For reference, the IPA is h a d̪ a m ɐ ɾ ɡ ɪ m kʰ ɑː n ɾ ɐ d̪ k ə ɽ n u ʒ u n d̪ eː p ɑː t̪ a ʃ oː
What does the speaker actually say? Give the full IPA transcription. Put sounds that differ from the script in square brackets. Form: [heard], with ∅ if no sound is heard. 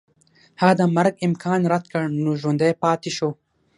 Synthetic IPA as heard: h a d̪ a m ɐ ɾ ɡ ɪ m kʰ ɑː n ɾ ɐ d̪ k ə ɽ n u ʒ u n d̪ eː p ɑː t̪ [i] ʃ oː